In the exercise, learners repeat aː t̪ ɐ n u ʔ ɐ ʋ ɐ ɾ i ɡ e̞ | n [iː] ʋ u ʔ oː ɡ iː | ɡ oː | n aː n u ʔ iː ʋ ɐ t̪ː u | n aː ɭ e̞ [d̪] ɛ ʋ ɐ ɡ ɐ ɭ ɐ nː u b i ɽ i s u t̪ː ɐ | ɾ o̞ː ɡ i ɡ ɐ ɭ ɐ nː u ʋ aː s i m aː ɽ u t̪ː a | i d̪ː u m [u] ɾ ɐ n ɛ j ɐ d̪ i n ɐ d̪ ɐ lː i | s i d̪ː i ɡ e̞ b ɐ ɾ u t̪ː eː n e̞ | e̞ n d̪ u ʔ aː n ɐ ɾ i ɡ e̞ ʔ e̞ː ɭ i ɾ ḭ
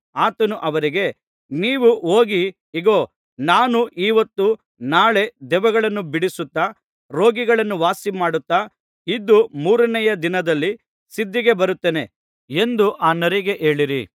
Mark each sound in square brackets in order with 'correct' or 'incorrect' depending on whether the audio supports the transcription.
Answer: correct, correct, incorrect: uː

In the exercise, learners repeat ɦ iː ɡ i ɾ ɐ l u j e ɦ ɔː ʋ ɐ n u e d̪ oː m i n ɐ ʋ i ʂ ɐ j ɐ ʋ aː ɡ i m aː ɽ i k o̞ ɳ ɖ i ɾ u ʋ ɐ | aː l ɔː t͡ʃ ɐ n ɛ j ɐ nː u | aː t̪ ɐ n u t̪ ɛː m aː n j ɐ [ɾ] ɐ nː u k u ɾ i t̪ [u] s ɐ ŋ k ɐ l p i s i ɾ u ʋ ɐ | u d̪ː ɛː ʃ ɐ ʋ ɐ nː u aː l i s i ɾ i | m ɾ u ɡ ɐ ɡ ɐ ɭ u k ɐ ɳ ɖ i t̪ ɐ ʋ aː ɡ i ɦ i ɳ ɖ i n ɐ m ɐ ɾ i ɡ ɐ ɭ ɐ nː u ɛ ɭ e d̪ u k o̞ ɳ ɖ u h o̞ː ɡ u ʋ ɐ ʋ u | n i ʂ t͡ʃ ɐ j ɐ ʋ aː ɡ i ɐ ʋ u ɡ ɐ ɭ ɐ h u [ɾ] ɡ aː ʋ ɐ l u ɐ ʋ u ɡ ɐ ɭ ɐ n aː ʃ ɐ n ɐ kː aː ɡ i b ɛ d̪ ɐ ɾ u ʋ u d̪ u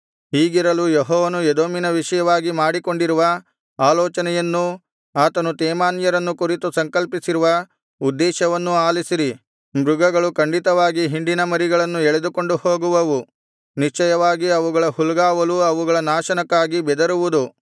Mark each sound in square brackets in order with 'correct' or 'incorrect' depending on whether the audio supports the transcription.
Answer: correct, correct, incorrect: l

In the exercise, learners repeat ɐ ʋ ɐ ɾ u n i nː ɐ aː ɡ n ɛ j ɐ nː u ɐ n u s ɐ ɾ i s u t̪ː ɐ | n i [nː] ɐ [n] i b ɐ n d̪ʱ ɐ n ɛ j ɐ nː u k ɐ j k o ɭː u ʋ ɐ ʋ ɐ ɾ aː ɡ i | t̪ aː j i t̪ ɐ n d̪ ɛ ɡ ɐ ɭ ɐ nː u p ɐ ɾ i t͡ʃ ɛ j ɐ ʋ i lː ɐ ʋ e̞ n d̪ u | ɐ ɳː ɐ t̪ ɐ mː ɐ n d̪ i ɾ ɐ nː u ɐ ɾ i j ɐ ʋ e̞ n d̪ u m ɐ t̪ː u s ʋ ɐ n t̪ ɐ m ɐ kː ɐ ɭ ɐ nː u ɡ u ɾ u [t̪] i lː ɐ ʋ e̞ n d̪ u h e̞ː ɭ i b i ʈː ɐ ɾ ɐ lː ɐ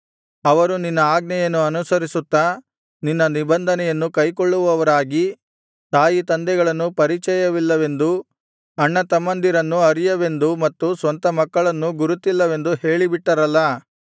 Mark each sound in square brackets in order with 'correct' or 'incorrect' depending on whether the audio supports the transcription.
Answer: correct, correct, correct

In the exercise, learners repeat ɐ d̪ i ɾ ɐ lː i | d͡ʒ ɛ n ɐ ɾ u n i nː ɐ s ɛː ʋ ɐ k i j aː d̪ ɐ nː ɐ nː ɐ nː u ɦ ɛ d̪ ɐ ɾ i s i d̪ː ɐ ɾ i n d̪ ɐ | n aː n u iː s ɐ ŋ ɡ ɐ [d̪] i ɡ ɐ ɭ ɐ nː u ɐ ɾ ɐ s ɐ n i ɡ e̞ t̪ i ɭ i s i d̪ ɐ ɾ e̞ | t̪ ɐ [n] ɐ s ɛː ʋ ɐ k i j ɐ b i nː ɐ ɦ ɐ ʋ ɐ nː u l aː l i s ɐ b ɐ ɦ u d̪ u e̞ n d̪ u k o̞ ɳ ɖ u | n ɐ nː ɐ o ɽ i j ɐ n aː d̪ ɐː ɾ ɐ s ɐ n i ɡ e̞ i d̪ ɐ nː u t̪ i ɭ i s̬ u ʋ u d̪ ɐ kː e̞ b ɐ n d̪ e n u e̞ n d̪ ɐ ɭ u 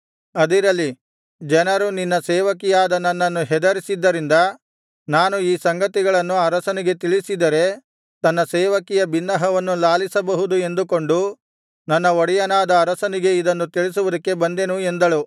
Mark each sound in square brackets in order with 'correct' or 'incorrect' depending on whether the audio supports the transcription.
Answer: incorrect: t̪, incorrect: nː

